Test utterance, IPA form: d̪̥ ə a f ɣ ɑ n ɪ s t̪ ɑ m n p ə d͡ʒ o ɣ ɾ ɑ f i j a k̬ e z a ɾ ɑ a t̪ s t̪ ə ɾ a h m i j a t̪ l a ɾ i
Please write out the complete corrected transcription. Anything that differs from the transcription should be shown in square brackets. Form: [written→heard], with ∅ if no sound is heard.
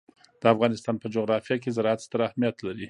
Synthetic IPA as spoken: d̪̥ ə a f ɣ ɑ n ɪ s t̪ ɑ [m→∅] n p ə d͡ʒ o ɣ ɾ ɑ f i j a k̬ e z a ɾ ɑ a t̪ s t̪ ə ɾ a h m i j a t̪ l a ɾ i